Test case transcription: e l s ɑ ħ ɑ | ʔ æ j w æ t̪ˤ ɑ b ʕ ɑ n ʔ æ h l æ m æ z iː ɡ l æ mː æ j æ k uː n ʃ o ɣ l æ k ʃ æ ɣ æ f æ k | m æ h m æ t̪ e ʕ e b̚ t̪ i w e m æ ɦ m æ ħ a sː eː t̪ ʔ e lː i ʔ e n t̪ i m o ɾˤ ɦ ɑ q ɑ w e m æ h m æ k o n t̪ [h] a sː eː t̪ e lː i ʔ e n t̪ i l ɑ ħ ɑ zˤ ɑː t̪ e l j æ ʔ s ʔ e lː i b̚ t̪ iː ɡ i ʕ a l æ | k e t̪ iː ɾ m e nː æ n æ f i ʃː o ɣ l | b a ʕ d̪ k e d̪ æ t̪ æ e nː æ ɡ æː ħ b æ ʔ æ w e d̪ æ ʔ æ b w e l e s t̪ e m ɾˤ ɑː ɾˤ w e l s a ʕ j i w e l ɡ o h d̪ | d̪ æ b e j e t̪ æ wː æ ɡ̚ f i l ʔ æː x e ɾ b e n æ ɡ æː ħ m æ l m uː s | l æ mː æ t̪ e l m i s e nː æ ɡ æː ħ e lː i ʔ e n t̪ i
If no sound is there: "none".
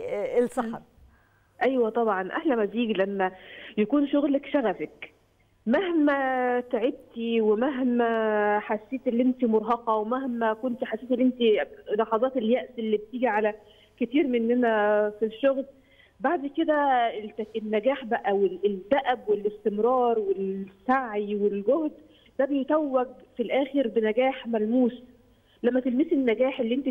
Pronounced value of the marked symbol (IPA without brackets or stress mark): ħ